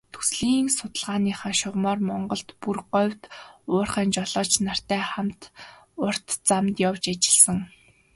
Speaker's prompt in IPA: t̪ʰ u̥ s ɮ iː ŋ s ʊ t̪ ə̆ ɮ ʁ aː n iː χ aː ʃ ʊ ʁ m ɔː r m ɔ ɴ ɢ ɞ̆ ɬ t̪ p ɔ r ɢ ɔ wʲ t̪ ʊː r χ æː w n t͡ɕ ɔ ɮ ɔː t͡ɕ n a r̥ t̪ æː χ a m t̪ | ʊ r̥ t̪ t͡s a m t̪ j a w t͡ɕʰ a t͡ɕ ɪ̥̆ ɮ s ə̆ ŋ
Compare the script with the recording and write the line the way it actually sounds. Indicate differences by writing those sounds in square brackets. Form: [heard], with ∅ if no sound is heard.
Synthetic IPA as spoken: t̪ʰ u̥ s ɮ iː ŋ s ʊ t̪ ə̆ ɮ ʁ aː n iː χ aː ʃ ʊ ʁ m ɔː r m ɔ ɴ ɢ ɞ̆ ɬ t̪ p [u] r ɢ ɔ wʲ t̪ ʊː r χ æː [∅] n t͡ɕ ɔ ɮ ɔː t͡ɕ n a r̥ t̪ æː χ a m t̪ | ʊ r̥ t̪ t͡s a m t̪ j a w [t͡ɕ] a t͡ɕ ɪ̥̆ ɮ s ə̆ ŋ

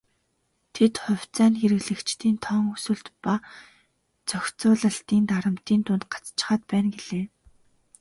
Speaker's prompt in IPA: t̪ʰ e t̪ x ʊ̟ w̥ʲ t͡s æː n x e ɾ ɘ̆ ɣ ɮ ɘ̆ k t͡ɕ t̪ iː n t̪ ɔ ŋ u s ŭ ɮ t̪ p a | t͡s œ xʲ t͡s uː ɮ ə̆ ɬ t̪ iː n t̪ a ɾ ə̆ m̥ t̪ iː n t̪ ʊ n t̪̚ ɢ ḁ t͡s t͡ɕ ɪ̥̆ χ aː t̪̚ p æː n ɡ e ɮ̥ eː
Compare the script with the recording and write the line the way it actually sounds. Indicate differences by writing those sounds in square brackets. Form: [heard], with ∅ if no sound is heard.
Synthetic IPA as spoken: t̪ʰ e t̪ [χ] ʊ̟ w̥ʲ t͡s æː n x e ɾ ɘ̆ ɣ ɮ ɘ̆ k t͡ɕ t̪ iː n [t̪ʰ] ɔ ŋ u s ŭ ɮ t̪ p a | t͡s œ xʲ t͡s [ʊː] ɮ ə̆ ɬ t̪ iː n t̪ a ɾ ə̆ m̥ t̪ iː n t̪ ʊ n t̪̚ ɢ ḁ t͡s t͡ɕ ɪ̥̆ χ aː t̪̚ p æː n ɡ e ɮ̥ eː

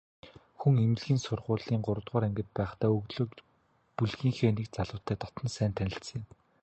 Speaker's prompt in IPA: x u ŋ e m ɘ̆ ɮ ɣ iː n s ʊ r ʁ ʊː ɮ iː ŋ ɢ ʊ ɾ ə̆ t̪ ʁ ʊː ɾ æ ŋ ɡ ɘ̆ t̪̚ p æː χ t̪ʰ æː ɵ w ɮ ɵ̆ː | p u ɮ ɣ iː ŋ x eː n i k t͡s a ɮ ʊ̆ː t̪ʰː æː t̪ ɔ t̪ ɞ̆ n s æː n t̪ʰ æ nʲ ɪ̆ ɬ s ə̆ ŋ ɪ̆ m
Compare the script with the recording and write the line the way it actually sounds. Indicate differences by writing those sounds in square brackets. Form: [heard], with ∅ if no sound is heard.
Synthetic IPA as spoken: x u ŋ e m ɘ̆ ɮ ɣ iː n s ʊ r ʁ ʊː ɮ iː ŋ ɢ ʊ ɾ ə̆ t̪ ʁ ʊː ɾ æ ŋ ɡ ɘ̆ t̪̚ p æː χ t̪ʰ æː ɵ [ɣ] ɮ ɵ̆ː | p u ɮ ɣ iː ŋ x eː n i k t͡s a ɮ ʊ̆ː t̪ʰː æː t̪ ɔ t̪ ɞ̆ n s æː n t̪ʰ æ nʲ ɪ̆ ɬ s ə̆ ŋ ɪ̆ m

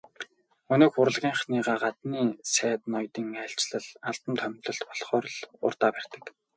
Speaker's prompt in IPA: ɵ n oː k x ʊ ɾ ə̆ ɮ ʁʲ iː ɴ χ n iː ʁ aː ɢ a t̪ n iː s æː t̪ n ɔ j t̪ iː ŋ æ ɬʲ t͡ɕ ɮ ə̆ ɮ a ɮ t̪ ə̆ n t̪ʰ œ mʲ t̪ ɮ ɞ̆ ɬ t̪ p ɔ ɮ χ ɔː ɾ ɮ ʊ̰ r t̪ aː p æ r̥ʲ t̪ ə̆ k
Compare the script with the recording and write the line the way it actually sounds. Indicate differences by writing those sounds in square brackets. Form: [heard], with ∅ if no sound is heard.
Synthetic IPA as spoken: ɵ n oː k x ʊ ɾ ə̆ ɮ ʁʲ iː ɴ χ n iː ʁ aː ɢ a t̪ n iː s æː t̪ n ɔ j t̪ iː ŋ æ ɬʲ t͡ɕ ɮ ə̆ ɮ a ɮ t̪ ə̆ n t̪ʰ œ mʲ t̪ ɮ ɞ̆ ɬ t̪ p ɔ ɮ χ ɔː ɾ ɮ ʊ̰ r t̪ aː p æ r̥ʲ t̪ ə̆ k

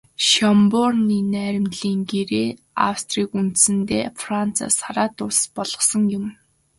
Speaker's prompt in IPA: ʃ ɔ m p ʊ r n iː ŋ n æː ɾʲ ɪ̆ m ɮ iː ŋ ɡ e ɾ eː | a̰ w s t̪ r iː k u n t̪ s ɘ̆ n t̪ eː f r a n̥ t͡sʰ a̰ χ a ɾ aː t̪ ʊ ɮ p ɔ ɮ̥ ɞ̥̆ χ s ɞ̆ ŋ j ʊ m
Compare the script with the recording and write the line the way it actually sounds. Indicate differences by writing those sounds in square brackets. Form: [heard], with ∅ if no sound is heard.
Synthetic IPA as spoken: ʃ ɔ m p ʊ r n iː [∅] n æː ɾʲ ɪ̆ m ɮ iː ŋ ɡ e ɾ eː | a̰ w s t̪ r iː k u n t̪ s ɘ̆ n t̪ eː f r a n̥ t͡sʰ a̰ [s] a ɾ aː t̪ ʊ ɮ p ɔ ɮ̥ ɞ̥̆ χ s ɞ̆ ŋ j ʊ m

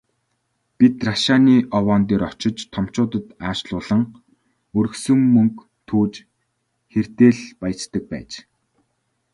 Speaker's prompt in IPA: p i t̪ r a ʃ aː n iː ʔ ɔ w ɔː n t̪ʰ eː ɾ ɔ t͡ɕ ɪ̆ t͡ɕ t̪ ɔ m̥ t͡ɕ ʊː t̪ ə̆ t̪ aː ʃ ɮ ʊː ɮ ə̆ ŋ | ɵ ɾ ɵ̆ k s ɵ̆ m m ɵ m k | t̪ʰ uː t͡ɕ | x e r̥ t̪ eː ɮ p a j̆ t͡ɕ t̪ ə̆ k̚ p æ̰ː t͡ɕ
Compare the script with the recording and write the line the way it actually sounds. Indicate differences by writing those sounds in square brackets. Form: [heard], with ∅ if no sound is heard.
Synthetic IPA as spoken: p i t̪ r a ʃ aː n iː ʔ ɔ w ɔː n [t̪] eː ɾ ɔ t͡ɕ ɪ̆ t͡ɕ [t̪ʰ] ɔ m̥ t͡ɕ ʊː t̪ ə̆ t̪ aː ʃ ɮ ʊː ɮ ə̆ ŋ | ɵ ɾ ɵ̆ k s ɵ̆ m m ɵ [ŋ] k | t̪ʰ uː t͡ɕ | x e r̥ t̪ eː ɮ p a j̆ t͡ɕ t̪ ə̆ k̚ p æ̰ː t͡ɕ

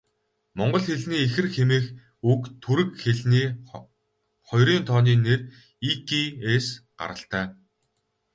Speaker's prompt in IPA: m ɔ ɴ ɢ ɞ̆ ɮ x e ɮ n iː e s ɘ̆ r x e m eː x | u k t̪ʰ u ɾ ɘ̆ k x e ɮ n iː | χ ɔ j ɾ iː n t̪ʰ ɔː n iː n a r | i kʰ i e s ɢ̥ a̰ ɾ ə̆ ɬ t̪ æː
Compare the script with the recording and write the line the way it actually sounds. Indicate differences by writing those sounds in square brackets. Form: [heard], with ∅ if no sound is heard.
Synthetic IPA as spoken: m ɔ ɴ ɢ ɞ̆ ɮ x e ɮ n iː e [x] ɘ̆ r x e m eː x | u k t̪ʰ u ɾ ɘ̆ k x e ɮ n iː | χ ɔ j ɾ iː n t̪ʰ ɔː n iː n [e] r | i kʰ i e s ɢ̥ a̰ ɾ ə̆ ɬ t̪ æː

